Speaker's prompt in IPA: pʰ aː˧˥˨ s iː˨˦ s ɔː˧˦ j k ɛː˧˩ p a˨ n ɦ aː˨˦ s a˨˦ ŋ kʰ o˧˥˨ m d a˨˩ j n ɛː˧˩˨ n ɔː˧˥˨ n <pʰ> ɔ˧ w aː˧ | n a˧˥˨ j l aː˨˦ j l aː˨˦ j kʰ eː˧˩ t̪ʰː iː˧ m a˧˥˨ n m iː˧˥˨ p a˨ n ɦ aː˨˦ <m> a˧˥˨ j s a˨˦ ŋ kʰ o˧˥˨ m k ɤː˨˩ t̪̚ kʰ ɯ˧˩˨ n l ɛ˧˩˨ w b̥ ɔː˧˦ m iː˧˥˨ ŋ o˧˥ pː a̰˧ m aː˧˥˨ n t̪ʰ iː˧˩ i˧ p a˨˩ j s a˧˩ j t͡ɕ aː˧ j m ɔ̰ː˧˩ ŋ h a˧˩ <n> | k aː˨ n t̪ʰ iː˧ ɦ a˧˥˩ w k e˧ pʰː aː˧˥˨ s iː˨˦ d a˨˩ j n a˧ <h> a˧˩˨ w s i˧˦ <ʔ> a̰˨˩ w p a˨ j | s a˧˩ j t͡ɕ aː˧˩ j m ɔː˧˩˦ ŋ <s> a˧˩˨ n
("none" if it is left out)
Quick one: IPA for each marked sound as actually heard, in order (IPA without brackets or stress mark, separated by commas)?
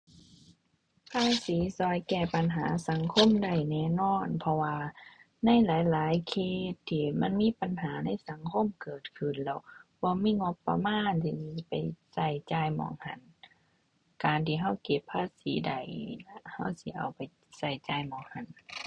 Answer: pʰ, n, n, h, ʔ, h